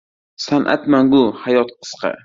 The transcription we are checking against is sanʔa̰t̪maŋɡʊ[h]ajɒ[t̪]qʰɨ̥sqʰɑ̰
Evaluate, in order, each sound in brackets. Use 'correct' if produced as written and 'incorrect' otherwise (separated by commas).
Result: correct, correct